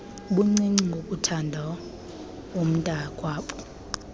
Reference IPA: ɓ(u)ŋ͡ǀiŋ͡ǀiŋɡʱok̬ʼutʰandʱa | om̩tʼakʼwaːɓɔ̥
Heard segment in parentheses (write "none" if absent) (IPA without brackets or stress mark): u